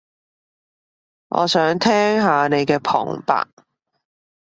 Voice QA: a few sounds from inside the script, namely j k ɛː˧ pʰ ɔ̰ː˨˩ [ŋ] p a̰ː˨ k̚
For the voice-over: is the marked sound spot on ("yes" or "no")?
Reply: yes